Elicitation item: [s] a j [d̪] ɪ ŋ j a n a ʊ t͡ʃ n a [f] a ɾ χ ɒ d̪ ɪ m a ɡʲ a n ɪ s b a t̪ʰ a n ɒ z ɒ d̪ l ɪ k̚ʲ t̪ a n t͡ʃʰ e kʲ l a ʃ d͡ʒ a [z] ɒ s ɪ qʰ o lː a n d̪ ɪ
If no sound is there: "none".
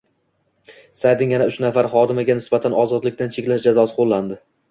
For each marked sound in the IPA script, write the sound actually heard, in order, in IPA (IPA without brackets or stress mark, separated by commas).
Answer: s, d̪, f, z